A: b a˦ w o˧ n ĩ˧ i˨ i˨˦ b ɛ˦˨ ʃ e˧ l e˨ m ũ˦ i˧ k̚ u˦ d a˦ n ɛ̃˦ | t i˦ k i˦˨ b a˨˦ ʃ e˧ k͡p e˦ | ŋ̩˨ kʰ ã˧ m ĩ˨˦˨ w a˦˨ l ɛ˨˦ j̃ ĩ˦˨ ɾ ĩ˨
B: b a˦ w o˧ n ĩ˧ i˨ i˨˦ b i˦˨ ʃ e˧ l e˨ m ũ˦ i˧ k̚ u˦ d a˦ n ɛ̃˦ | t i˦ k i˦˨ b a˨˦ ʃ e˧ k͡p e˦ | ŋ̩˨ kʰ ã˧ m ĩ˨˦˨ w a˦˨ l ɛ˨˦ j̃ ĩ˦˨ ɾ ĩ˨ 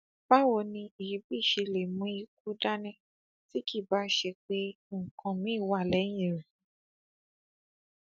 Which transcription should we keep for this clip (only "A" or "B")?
B